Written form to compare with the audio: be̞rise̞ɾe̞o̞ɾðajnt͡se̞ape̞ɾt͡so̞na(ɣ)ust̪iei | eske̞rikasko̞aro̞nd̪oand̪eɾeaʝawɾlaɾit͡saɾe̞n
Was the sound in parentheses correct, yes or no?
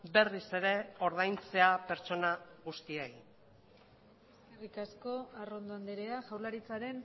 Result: yes